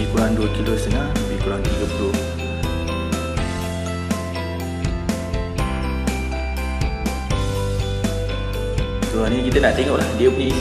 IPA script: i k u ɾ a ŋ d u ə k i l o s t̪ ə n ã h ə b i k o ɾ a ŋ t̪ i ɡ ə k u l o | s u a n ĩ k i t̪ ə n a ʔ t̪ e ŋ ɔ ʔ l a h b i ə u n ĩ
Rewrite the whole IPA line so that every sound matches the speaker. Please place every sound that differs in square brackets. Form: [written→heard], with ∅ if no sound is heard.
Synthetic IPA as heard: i k u ɾ a ŋ d u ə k i l o s t̪ ə n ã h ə b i k [o→u] ɾ a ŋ t̪ i ɡ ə [k→p] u l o | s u a n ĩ k i t̪ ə n a ʔ t̪ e ŋ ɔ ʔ l a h [b→d] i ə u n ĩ